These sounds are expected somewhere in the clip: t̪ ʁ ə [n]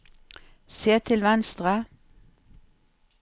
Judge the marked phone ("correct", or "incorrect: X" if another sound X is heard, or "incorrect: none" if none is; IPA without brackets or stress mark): incorrect: none